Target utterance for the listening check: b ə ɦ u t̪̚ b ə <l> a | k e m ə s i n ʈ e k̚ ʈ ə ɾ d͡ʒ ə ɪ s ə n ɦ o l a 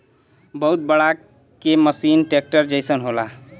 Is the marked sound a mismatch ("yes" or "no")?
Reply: yes